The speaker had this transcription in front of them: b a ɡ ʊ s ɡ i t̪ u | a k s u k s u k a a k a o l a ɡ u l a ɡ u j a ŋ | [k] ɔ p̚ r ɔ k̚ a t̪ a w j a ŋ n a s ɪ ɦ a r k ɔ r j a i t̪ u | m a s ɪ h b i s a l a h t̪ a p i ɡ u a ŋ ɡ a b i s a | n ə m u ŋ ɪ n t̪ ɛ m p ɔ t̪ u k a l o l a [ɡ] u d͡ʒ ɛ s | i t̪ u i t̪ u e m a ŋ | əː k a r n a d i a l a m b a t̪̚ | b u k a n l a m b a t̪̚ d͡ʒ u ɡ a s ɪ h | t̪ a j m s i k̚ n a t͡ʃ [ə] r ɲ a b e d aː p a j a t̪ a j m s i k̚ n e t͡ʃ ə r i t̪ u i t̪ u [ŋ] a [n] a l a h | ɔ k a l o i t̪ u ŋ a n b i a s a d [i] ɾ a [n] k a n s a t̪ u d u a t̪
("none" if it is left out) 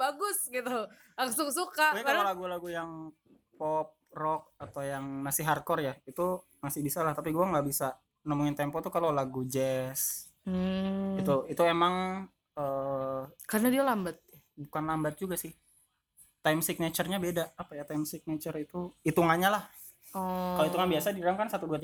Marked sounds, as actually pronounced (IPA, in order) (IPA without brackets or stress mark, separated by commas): p, ɡ, ə, ŋ, ɲ, i, ŋ